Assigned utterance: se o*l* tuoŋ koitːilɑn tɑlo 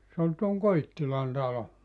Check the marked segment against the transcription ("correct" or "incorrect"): correct